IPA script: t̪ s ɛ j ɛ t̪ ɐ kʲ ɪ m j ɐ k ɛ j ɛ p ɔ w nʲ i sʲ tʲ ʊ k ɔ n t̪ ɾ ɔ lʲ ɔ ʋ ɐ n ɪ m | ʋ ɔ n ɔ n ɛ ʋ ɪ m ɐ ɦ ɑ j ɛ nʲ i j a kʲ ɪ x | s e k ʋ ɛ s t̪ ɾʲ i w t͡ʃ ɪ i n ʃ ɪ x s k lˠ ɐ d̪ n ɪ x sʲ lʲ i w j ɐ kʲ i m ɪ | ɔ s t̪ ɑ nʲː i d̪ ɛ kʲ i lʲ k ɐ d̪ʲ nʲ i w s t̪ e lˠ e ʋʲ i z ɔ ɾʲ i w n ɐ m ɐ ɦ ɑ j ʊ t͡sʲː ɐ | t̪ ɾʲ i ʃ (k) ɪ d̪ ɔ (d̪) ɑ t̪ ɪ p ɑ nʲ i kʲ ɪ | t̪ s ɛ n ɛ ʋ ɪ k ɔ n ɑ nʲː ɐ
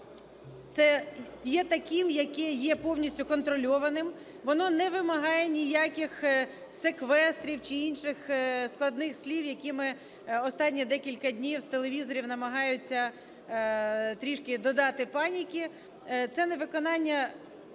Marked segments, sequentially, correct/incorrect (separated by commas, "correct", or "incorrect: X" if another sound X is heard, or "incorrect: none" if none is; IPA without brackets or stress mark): correct, correct